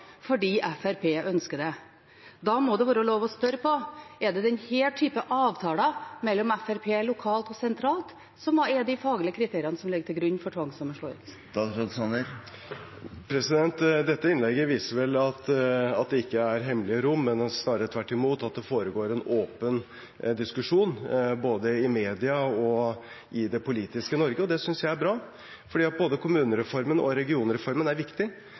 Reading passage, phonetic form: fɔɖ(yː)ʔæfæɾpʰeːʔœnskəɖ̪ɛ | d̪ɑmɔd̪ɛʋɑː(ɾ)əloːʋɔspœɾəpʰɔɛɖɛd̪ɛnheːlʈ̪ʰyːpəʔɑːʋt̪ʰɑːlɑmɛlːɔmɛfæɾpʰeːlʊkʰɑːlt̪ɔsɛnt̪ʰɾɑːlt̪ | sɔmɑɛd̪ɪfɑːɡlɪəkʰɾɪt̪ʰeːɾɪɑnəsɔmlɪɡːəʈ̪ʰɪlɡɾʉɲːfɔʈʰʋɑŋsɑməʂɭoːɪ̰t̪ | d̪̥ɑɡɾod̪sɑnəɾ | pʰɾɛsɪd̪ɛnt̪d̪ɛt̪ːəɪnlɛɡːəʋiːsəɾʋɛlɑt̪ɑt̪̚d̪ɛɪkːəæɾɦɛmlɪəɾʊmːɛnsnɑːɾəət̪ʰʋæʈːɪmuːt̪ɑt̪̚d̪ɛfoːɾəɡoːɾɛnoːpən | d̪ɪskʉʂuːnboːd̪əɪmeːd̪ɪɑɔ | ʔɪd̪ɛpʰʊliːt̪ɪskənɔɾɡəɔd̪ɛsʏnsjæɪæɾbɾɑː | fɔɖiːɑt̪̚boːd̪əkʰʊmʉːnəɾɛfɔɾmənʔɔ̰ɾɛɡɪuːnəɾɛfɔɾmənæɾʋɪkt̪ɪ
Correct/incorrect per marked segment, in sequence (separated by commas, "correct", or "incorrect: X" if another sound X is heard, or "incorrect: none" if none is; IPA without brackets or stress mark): incorrect: iː, correct